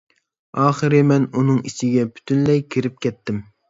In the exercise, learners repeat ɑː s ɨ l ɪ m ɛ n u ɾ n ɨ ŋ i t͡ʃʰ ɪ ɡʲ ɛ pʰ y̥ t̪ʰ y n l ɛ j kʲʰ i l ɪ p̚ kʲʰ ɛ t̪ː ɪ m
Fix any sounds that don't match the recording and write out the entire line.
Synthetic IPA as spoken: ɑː χ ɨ ɾ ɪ m ɛ n u n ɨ ŋ i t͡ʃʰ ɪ ɡʲ ɛ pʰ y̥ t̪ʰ y n l ɛ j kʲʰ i ɾ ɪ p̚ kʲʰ ɛ t̪ː ɪ m